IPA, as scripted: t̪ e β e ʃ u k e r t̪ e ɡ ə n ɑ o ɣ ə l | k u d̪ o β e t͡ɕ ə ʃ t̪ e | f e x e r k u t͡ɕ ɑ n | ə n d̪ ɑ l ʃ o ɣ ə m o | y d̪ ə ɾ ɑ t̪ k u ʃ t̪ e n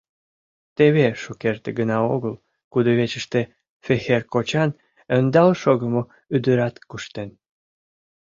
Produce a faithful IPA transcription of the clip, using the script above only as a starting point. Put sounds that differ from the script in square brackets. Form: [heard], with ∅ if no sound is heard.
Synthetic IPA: t̪ e β e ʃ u k e r t̪ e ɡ ə n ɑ o ɣ ə l | k u d̪ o β e t͡ɕ ə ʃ t̪ e | f e x e r k [o] t͡ɕ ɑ n | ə n d̪ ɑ l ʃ o ɣ ə m o | y d̪ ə ɾ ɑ t̪ k u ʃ t̪ e n